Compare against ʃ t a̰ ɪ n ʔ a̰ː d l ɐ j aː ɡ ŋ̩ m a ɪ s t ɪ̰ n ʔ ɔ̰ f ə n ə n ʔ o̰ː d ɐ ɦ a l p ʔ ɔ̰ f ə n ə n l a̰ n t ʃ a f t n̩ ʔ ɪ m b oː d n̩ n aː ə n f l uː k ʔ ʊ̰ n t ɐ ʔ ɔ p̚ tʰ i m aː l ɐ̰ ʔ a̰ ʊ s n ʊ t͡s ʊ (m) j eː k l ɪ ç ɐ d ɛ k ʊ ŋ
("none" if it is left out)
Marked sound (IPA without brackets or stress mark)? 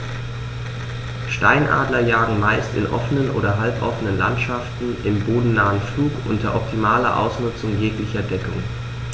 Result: ŋ